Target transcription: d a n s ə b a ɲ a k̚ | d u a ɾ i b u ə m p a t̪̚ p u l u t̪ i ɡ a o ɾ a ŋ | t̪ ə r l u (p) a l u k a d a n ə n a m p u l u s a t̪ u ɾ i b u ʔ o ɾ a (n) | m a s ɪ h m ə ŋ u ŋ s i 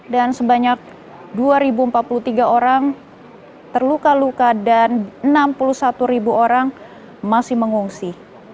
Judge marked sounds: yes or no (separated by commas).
no, no